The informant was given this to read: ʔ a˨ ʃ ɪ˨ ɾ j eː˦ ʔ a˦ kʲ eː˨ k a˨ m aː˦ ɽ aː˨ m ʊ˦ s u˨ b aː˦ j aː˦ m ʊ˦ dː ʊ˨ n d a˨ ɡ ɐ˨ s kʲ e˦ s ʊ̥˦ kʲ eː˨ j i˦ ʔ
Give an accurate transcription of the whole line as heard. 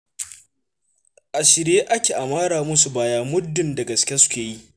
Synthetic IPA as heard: ʔ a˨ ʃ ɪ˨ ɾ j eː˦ ʔ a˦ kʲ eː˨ ʔ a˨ m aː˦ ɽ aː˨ m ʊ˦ s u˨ b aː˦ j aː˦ m ʊ˦ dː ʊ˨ n d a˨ ɡ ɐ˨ s kʲ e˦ s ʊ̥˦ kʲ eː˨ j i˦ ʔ